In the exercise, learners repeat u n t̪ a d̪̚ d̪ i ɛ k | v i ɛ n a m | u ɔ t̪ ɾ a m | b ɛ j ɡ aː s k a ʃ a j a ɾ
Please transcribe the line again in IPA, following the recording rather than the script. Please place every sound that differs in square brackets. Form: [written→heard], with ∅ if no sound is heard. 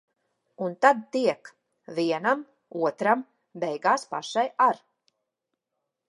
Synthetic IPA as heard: u n t̪ a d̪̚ [d̪→t̪] i ɛ k | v i ɛ n a m | u ɔ t̪ ɾ a m | b ɛ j ɡ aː s [k→p] a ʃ a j a ɾ